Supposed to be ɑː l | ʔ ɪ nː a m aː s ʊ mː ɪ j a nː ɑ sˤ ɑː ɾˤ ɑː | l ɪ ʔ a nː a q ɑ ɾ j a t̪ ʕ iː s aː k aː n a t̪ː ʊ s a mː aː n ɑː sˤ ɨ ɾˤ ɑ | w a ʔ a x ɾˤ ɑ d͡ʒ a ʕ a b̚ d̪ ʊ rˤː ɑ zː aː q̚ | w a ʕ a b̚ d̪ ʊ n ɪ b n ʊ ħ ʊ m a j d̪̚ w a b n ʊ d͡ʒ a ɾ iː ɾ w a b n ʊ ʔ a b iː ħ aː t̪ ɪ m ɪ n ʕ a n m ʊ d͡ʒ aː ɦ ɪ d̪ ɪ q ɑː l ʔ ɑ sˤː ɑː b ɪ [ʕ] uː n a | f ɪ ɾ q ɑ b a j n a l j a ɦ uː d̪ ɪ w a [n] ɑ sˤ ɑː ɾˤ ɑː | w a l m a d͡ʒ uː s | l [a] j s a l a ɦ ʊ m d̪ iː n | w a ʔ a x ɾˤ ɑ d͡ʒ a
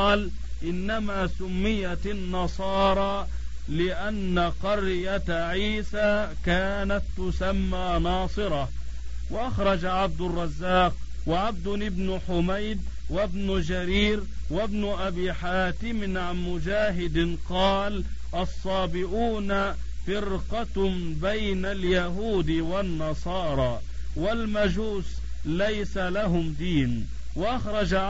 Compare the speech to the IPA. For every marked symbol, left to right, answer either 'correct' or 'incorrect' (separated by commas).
correct, incorrect, correct